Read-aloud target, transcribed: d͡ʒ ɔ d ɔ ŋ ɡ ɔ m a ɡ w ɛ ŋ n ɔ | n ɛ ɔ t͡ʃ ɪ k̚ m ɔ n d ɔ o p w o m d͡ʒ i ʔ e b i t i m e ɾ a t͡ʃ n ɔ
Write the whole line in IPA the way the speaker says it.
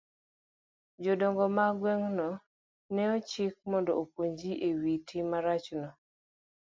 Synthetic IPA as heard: d͡ʒ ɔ d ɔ ŋ ɡ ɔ m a ɡ w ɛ ŋ n ɔ | n ɛ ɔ t͡ʃ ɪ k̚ m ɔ n d ɔ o p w o ɲ d͡ʒ i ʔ e w i t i m a ɾ a t͡ʃ n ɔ